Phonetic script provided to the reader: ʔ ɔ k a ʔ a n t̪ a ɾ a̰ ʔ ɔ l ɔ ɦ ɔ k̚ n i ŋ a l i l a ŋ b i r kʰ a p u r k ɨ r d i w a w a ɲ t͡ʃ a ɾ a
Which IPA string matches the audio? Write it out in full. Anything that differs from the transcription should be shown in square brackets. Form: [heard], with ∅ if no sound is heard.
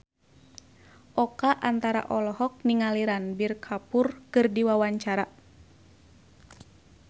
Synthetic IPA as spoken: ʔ ɔ k a ʔ a n t̪ a ɾ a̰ ʔ ɔ l ɔ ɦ ɔ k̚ n i ŋ a l i [ɾ] a [n] b i r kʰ a p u r k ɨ r d i w a w a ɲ t͡ʃ a ɾ a

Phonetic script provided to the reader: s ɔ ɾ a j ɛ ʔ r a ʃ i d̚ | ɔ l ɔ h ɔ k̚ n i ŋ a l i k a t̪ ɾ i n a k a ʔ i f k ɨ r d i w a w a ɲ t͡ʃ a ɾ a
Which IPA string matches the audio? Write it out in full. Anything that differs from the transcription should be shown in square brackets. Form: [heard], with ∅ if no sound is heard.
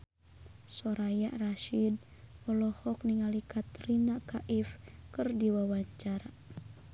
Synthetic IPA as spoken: s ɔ ɾ a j [a] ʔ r a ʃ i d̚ | ɔ l ɔ h ɔ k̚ n i ŋ a l i k a t̪ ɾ i n a k a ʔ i f k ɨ r d i w a w a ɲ t͡ʃ a ɾ a

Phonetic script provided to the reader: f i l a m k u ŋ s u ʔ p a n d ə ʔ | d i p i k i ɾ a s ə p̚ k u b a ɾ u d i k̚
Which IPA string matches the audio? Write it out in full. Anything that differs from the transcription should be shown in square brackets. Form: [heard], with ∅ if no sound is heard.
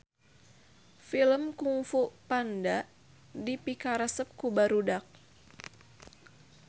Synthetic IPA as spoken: f i l [ə] m k u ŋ [f] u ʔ p a n d [a] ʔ | d i p i k [a] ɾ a s ə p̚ k u b a ɾ u d [a] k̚

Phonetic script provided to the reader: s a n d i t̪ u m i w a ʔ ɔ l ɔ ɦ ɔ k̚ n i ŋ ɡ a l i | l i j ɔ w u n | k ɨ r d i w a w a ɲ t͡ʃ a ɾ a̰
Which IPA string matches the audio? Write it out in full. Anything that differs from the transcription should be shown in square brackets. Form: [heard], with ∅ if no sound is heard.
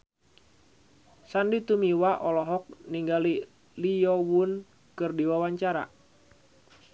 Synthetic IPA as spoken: s a n d i t̪ u m i w a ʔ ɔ l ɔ ɦ ɔ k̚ n i ŋ ɡ a l i | l i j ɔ w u n | k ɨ r d i w a w a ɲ t͡ʃ a ɾ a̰

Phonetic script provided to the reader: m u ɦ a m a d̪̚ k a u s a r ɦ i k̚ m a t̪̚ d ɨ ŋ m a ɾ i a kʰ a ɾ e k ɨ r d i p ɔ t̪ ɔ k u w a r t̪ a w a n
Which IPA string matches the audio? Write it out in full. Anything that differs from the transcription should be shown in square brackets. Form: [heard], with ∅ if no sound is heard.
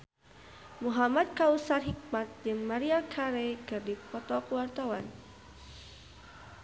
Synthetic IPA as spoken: m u ɦ a m a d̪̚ k a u s a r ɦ i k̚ m a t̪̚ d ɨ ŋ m a ɾ i a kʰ a ɾ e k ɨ r d i p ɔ t̪ ɔ k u w a r t̪ a w a n

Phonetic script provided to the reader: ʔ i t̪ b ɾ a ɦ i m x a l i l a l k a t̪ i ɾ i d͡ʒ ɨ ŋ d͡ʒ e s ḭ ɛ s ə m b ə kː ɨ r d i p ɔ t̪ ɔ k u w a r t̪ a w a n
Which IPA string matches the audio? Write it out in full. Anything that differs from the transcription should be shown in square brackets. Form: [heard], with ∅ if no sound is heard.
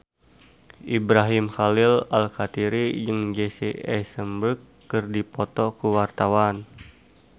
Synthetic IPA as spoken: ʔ i [∅] b ɾ a ɦ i m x a l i l a l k a t̪ i ɾ i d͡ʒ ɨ ŋ d͡ʒ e s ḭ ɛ s ə m b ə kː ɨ r d i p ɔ t̪ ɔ k u w a r t̪ a w a n

